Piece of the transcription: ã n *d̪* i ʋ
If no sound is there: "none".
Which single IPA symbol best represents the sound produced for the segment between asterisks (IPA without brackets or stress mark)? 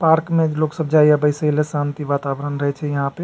t̪